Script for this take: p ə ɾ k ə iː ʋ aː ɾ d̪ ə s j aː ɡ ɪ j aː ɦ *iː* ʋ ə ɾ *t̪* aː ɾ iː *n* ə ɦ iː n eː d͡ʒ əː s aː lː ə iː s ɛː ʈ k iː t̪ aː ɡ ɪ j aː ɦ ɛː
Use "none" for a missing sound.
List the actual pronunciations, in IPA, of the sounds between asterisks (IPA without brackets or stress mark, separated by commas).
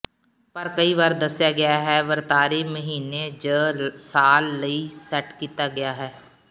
ɛː, t̪, m